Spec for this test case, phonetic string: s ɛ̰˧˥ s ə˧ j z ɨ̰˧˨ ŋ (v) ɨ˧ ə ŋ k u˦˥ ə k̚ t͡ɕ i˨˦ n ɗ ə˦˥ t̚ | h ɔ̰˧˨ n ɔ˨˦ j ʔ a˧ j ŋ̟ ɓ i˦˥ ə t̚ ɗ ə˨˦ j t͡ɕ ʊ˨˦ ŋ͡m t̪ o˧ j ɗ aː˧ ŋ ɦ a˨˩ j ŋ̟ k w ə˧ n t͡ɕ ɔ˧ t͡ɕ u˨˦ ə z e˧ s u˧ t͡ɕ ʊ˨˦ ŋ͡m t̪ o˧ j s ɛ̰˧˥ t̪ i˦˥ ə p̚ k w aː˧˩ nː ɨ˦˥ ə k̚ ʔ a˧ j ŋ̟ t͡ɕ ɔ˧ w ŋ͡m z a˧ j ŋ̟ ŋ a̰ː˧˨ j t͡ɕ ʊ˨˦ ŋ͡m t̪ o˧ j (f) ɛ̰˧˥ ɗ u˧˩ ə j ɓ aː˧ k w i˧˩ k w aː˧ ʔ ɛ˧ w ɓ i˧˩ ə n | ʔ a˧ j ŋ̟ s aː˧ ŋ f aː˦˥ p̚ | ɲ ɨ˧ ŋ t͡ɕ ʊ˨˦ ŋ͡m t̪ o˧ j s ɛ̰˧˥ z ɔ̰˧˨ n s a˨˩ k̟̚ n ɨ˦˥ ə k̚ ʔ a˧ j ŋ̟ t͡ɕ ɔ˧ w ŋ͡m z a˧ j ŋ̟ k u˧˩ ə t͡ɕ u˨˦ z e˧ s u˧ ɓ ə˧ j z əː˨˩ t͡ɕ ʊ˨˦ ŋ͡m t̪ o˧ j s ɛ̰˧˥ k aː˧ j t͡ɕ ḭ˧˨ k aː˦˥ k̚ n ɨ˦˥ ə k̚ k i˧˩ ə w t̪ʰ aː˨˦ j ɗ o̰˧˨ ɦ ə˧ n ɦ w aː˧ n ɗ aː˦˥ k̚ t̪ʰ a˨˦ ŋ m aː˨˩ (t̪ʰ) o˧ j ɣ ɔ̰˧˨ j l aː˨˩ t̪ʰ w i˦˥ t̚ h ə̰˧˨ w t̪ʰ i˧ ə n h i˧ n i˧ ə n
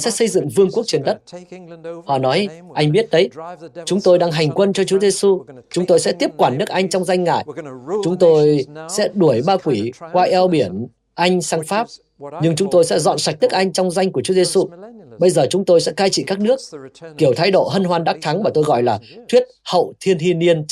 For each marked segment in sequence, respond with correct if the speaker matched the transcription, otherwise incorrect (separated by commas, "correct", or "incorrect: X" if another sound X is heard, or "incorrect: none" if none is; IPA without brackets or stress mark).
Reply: correct, incorrect: s, incorrect: t̪